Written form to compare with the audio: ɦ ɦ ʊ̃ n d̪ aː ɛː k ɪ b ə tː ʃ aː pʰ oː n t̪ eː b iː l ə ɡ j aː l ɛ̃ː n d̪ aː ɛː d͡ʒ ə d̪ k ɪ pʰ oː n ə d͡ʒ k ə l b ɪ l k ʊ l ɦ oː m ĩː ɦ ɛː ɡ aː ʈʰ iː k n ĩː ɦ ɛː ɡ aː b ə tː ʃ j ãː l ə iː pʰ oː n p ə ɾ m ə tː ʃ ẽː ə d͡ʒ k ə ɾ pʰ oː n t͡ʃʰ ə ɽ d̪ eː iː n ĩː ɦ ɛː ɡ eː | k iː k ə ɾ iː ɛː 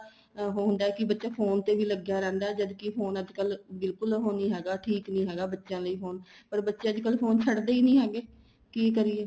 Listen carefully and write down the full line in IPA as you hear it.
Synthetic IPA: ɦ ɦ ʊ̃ n d̪ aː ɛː k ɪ b ə tː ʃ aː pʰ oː n t̪ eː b iː l ə ɡ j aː ɾ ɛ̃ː n d̪ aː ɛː d͡ʒ ə d̪ k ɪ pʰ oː n ə d͡ʒ k ə l b ɪ l k ʊ l ɦ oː n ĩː ɦ ɛː ɡ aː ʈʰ iː k n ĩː ɦ ɛː ɡ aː b ə tː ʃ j ãː l ə iː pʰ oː n p ə ɾ b ə tː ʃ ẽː ə d͡ʒ k ə l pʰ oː n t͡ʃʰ ə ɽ d̪ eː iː n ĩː ɦ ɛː ɡ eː | k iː k ə ɾ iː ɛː